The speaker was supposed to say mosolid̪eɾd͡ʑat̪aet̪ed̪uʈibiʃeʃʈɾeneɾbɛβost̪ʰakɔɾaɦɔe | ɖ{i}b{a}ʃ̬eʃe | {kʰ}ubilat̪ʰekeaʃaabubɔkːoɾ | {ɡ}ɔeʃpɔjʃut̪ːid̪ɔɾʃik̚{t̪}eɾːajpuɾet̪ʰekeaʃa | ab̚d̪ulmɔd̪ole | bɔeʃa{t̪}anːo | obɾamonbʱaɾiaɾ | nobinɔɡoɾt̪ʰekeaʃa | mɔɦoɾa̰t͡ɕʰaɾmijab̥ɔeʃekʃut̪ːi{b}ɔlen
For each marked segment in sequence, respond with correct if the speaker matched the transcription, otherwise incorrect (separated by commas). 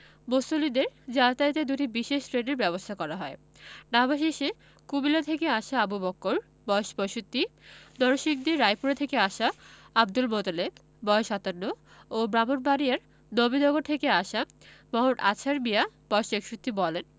incorrect, correct, incorrect, incorrect, incorrect, correct, correct